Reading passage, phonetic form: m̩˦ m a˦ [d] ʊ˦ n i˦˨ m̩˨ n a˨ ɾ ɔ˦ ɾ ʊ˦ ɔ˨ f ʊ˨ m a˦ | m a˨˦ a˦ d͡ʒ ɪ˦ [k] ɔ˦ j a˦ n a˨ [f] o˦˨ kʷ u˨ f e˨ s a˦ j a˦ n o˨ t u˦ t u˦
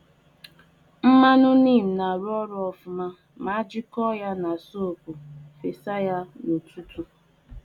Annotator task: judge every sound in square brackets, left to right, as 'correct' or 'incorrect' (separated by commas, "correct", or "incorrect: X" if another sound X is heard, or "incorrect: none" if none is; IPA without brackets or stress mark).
incorrect: n, correct, incorrect: s